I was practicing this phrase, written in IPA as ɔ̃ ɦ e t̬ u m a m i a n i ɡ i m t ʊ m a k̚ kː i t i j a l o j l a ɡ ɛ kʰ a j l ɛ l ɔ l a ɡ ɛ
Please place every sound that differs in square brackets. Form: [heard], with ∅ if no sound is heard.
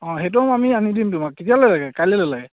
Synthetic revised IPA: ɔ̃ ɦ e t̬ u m a m i a n i [d] i m t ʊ m a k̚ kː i t i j a l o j l a ɡ ɛ [k] a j l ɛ l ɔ l a ɡ ɛ